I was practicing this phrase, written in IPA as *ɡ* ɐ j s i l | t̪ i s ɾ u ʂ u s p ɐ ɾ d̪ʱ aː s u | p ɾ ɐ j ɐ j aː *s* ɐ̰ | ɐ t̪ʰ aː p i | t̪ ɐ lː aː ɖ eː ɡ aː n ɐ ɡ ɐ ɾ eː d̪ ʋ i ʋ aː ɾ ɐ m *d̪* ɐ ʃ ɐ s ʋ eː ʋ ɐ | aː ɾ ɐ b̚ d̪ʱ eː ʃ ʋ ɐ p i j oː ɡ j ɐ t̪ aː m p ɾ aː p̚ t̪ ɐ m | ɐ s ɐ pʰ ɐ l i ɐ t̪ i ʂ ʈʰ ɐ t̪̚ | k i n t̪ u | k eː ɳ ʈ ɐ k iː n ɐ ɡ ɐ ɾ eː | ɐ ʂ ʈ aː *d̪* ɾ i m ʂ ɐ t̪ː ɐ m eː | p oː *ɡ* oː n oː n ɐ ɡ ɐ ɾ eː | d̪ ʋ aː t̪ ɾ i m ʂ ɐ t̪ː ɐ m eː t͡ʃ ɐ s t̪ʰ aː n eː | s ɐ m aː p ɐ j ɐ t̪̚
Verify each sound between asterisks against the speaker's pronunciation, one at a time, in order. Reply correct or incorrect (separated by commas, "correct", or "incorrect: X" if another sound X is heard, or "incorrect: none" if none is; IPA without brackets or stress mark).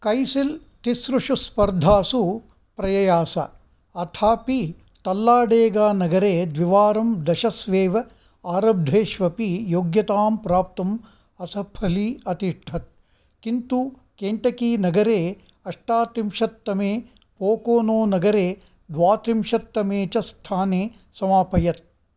incorrect: k, correct, correct, incorrect: t̪, incorrect: k